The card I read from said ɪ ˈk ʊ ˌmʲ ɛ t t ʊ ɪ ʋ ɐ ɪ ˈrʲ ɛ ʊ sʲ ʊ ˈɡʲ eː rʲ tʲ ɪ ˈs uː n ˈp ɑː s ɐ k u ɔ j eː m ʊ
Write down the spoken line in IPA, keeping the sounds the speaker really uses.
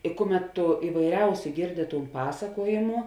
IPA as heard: ɪ ˈk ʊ ˌmʲ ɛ t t ʊ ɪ ʋ ɐ ɪ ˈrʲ ɛ ʊ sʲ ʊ ˈɡʲ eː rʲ dʲ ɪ ˈt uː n ˈp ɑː s ɐ k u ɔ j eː m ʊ